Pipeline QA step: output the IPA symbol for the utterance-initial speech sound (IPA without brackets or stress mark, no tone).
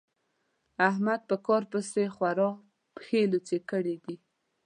a